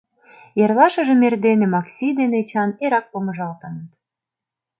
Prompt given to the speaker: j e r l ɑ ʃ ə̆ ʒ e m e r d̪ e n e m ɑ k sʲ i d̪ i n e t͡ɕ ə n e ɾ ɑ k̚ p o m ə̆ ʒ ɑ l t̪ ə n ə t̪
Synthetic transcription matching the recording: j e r l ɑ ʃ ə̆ ʒ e m e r d̪ e n e m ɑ k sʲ i d̪ e n e t͡ɕ ɑ n e ɾ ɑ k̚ p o m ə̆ ʒ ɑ l t̪ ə n ə t̪